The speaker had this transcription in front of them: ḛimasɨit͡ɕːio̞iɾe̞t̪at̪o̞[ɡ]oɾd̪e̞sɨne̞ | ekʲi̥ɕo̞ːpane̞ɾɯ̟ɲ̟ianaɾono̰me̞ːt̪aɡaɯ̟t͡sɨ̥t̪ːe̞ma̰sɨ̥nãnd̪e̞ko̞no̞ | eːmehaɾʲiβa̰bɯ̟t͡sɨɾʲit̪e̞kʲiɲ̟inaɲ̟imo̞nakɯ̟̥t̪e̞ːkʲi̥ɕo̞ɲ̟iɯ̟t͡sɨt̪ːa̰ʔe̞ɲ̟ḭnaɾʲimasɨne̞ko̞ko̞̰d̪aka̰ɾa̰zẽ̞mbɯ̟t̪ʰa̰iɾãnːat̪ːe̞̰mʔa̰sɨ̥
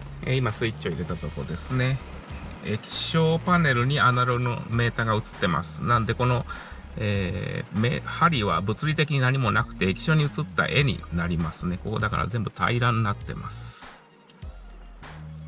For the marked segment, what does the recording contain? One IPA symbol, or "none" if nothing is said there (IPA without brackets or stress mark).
k